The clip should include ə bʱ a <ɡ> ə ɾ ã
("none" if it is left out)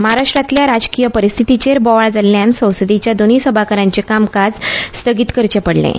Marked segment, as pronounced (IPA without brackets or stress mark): k